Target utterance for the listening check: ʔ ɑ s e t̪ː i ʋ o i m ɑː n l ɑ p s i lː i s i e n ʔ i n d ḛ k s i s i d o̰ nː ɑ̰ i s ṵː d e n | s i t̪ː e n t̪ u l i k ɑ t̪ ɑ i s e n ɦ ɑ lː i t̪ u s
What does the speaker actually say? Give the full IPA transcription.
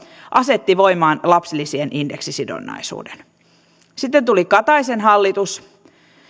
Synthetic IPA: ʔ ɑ s e t̪ː i ʋ o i m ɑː n l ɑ p s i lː i s i e n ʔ i n d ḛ k s i s i d o̰ nː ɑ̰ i s ṵː d e n | s i t̪ː e n t̪ u l i k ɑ t̪ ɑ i s e n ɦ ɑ lː i t̪ u s